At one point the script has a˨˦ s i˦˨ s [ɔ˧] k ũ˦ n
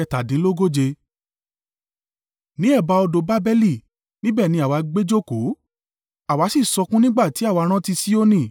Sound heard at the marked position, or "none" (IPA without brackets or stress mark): ɔ˧